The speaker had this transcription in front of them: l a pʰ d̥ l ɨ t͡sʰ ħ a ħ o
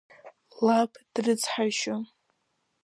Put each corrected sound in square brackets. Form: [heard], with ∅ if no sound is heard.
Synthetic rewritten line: l a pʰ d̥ [r] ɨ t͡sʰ ħ a [ʃ] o